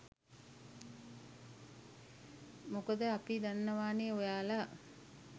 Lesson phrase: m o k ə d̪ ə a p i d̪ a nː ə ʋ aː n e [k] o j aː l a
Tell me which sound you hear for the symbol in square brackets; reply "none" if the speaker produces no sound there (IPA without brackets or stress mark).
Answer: none